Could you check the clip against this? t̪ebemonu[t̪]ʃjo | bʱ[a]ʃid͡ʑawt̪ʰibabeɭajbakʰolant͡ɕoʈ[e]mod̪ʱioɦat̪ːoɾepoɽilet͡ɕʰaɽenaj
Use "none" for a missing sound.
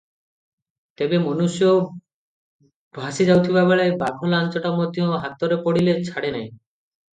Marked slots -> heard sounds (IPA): none, a, a

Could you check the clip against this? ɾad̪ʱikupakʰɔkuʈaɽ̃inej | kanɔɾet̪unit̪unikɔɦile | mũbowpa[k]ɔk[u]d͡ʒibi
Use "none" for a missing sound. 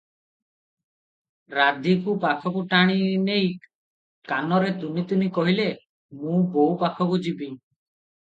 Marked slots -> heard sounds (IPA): kʰ, u

